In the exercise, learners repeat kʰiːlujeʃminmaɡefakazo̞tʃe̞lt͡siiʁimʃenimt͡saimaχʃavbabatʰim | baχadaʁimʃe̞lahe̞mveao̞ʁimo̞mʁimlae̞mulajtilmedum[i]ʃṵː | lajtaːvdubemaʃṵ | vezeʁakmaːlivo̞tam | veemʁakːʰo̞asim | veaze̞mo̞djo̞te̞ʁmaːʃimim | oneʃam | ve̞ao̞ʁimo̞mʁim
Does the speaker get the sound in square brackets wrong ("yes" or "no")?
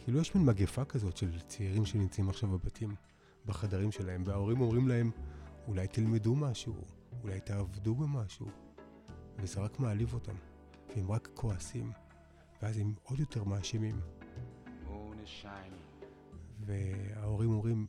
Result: yes